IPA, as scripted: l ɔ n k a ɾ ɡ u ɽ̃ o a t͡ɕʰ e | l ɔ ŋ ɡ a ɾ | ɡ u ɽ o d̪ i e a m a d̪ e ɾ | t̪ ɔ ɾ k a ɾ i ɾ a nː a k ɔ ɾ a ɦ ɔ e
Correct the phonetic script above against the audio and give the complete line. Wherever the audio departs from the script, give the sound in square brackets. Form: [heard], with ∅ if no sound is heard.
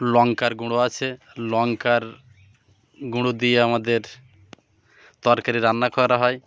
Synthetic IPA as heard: l ɔ [ŋ] k a ɾ ɡ u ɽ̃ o a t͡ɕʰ e | l ɔ ŋ [k] a ɾ | ɡ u ɽ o d̪ i e a m a d̪ e ɾ | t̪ ɔ ɾ k a ɾ i ɾ a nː a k ɔ ɾ a ɦ ɔ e

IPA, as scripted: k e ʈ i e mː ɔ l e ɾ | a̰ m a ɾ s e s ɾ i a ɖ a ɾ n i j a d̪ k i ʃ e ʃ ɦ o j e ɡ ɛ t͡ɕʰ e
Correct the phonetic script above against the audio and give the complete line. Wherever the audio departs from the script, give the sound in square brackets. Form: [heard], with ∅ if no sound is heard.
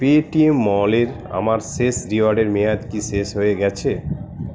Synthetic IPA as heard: [p] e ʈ i e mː ɔ l e ɾ | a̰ m a ɾ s e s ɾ i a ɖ [e] ɾ [m] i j a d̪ k i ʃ e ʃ ɦ o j e ɡ ɛ t͡ɕʰ e

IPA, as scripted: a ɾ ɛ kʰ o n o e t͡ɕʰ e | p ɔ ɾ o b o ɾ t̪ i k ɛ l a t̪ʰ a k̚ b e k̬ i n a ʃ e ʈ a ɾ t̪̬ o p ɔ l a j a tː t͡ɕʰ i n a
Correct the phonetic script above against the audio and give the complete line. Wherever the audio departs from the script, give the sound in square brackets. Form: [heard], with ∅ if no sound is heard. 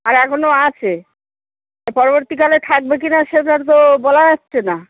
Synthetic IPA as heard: a ɾ ɛ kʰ o n o [a] t͡ɕʰ e | p ɔ ɾ o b o ɾ t̪ i k [a] l [e] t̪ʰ a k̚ b e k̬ i n a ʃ e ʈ a ɾ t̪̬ o [b] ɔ l a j a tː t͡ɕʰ [e] n a

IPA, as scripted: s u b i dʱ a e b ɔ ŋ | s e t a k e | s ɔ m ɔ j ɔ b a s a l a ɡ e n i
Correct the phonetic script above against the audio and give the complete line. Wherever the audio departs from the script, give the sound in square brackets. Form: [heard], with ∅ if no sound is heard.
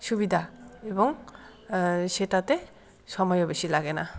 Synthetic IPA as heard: s u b i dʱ a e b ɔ ŋ | s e t a [t] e | s ɔ m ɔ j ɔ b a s [i] l a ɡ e n [a]

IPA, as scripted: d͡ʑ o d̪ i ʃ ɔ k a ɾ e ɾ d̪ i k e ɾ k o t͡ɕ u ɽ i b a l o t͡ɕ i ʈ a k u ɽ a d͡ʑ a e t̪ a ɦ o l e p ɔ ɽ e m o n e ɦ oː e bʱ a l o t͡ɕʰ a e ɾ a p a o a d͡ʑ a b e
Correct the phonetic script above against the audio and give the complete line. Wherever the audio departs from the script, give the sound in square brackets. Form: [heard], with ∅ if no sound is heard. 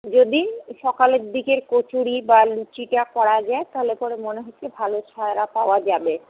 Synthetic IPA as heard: d͡ʑ o d̪ i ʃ ɔ k a [l] e ɾ d̪ i k e ɾ k o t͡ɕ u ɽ i b a l [u] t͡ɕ i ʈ a k [ɔ] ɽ a d͡ʑ a e t̪ a ɦ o l e p ɔ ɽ e m o n e ɦ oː e bʱ a l o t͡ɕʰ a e ɾ a p a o a d͡ʑ a b e

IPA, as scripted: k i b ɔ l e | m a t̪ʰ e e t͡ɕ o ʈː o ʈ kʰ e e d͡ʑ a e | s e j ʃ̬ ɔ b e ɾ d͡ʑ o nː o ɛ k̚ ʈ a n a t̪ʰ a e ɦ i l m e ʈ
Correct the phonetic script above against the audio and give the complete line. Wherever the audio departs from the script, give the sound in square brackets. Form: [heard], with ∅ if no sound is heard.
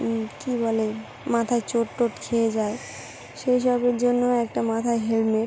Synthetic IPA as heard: k i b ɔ l e | m a t̪ʰ [a] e t͡ɕ o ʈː o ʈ kʰ e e d͡ʑ a e | [ʃ] e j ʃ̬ ɔ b e ɾ d͡ʑ o nː o ɛ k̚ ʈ a [m] a t̪ʰ a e ɦ [e] l m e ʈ

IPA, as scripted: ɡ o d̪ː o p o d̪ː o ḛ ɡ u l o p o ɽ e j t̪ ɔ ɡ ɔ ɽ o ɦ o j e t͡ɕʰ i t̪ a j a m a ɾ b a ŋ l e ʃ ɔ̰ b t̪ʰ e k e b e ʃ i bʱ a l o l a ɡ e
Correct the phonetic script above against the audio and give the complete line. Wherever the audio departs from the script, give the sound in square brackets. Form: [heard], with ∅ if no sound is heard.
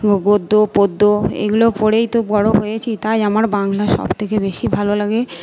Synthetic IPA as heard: ɡ o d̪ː o p o d̪ː o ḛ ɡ u l o p o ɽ e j t̪ [o] ɡ ɔ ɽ o ɦ o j e t͡ɕʰ i t̪ a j a m a ɾ b a ŋ l [a] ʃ ɔ̰ b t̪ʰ e k e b e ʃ i bʱ a l o l a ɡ e

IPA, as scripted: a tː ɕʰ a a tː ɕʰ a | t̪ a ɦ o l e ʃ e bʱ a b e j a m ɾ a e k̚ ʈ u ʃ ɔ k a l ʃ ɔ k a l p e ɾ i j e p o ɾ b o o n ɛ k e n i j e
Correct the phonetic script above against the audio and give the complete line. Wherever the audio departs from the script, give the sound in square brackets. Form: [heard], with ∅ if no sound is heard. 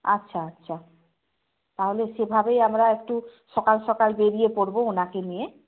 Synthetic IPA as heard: a tː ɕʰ a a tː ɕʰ a | t̪ a ɦ o l e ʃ e bʱ a b e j a m ɾ a e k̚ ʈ u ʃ ɔ k a l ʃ ɔ k a l [b] e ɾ i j e p o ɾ b o o n [a] k e n i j e

